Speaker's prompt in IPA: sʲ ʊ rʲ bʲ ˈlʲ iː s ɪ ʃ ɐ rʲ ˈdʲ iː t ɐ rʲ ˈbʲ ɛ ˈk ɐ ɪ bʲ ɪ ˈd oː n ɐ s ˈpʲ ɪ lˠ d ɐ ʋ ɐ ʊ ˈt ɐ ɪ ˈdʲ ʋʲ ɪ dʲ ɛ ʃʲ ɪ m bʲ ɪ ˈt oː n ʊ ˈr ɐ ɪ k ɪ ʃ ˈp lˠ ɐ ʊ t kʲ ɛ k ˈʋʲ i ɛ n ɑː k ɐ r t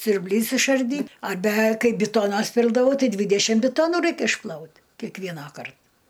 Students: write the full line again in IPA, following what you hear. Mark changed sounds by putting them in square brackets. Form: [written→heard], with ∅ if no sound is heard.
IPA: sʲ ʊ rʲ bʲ ˈlʲ iː s ɪ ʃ ɐ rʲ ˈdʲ iː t ɐ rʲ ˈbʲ ɛ ˈk ɐ ɪ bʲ ɪ [ˈd→ˈt] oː n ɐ s ˈpʲ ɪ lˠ d ɐ ʋ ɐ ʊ ˈt ɐ ɪ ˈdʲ ʋʲ ɪ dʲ ɛ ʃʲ ɪ m bʲ ɪ ˈt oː n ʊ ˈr ɐ ɪ k ɪ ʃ ˈp lˠ ɐ ʊ t kʲ ɛ k ˈʋʲ i ɛ n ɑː k ɐ r t